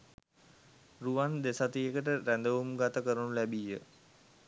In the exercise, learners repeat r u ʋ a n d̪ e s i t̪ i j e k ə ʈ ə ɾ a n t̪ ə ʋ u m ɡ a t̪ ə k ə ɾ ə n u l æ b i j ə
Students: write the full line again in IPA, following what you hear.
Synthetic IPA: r u ʋ a n d̪ e s a t̪ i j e k ə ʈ ə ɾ æ n d̪ ə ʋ u m ɡ a t̪ ə k ə ɾ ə n u l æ b i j ə